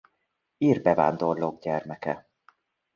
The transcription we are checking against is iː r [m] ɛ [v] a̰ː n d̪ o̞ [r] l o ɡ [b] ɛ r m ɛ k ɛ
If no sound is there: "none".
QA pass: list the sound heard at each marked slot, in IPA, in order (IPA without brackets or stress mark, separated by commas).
b, v, r, ɟ